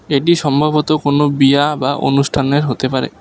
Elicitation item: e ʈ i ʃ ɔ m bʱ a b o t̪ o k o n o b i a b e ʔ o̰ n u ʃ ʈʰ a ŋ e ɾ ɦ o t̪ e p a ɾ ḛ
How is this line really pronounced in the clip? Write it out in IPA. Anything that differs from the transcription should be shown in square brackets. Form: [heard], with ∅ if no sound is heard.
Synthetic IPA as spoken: e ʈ i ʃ ɔ m bʱ a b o t̪ o k o n o b i a b [a] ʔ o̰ n u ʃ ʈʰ a [n] e ɾ ɦ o t̪ e p a ɾ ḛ